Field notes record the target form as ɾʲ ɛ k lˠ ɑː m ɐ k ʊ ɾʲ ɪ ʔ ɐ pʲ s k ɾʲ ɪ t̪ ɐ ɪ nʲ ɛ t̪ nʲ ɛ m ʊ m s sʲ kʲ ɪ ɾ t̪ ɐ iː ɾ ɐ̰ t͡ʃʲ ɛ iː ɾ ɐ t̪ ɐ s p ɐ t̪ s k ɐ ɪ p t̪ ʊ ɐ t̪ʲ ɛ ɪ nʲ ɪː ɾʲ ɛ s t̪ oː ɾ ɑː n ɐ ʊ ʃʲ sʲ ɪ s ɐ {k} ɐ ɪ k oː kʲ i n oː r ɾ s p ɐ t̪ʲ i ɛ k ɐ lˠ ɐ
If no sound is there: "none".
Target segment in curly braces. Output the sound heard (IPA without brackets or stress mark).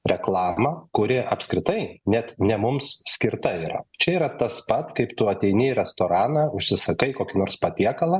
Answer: k